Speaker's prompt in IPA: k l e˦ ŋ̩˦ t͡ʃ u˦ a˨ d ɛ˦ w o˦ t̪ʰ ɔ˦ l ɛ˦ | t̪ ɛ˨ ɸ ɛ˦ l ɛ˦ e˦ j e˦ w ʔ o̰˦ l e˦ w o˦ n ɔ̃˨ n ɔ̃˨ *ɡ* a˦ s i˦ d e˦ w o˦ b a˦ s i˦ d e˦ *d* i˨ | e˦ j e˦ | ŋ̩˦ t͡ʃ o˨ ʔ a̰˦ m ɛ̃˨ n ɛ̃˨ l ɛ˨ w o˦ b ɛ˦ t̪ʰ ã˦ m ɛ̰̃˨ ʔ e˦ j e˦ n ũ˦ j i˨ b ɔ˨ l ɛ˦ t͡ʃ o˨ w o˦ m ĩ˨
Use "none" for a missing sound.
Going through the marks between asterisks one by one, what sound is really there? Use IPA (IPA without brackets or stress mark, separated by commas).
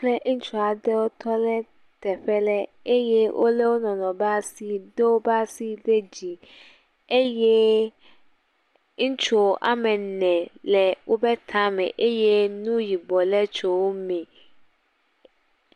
b, d͡ʑ